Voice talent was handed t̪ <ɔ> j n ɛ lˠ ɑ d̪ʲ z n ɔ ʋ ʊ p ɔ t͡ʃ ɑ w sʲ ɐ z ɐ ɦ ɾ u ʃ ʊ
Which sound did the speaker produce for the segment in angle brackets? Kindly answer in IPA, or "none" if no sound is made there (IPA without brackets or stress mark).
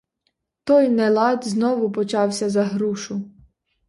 ɔ